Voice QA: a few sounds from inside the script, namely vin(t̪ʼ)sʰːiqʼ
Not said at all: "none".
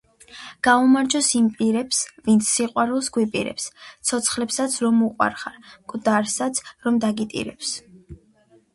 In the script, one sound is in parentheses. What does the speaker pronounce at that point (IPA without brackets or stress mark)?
t̪